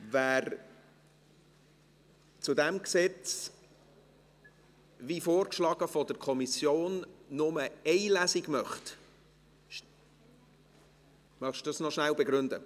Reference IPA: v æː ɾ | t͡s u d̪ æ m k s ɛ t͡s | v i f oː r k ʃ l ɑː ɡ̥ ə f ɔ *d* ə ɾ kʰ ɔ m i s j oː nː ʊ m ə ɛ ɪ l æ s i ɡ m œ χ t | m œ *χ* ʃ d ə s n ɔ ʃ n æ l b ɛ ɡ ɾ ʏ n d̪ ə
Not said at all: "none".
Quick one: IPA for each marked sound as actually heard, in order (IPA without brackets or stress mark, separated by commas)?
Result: d, χ